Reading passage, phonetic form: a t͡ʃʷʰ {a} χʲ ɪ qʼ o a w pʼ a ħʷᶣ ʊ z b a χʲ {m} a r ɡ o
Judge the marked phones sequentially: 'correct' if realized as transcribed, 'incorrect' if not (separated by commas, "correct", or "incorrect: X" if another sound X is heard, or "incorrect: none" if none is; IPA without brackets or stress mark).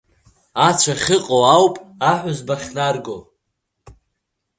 correct, incorrect: n